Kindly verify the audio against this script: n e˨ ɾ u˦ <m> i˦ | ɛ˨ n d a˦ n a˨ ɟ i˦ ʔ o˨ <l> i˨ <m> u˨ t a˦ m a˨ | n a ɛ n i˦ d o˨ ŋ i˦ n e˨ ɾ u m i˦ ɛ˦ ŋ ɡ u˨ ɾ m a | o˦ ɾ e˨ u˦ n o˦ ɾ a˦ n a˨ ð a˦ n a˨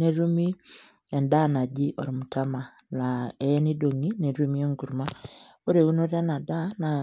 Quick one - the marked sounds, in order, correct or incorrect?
correct, incorrect: ɾ, correct

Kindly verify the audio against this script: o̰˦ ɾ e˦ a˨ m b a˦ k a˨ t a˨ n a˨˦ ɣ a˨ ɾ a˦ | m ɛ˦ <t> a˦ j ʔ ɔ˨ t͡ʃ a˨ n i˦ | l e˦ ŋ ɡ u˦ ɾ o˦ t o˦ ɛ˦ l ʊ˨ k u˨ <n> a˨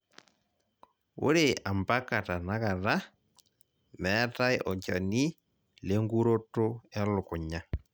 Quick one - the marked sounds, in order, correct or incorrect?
correct, incorrect: ɲ

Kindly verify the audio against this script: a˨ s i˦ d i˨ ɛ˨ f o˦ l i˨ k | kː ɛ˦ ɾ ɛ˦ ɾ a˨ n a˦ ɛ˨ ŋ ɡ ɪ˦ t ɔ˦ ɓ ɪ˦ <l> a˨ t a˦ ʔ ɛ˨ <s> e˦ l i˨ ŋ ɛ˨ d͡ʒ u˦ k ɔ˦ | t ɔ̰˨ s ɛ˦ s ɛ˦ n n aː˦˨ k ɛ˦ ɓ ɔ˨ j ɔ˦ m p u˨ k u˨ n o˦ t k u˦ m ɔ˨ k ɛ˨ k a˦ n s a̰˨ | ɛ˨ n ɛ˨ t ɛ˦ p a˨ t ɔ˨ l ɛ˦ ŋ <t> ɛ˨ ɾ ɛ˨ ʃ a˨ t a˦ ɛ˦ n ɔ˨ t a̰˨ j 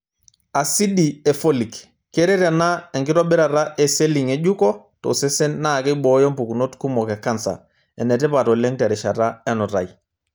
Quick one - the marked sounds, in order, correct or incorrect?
incorrect: ɾ, correct, correct

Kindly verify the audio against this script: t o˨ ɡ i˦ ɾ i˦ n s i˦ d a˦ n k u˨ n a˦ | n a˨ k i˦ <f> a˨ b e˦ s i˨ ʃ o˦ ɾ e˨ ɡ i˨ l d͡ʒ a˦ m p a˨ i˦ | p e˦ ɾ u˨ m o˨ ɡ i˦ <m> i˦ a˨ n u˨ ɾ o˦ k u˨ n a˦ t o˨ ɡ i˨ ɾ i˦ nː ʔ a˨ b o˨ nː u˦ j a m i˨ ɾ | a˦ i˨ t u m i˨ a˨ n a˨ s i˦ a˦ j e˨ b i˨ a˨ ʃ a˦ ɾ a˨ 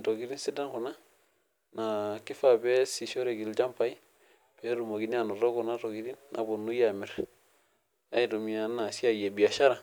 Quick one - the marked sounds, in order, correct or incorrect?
correct, incorrect: n

